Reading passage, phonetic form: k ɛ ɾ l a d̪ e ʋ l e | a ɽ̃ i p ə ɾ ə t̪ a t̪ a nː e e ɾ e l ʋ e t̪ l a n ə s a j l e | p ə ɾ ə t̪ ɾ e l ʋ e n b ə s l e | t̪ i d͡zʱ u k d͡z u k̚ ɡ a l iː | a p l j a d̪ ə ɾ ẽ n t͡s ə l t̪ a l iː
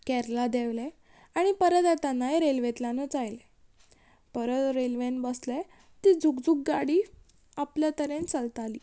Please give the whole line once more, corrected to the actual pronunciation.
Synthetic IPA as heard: k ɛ ɾ l a d̪ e ʋ l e | a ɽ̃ i p ə ɾ ə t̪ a t̪ a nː a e ɾ e l ʋ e t̪ l a n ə t͡s a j l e | p ə ɾ ə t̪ ɾ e l ʋ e n b ə s l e | t̪ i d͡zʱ u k d͡z u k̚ ɡ a ɽ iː | a p l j a t̪ ə ɾ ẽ n t͡s ə l t̪ a l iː